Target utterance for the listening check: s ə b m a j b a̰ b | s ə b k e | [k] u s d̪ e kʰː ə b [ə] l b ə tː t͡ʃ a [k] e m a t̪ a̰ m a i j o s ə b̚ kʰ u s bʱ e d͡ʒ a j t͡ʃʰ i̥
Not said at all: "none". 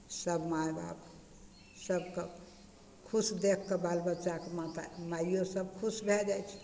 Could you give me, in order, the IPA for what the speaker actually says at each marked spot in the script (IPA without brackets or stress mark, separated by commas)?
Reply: kʰ, a, k